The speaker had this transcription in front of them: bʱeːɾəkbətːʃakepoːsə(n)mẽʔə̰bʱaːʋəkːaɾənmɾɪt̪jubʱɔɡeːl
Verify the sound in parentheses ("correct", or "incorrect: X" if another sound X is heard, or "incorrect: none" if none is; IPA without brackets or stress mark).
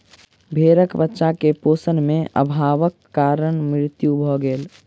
correct